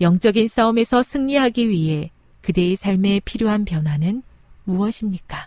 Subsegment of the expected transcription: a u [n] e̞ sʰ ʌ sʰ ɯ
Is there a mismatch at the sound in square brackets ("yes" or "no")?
yes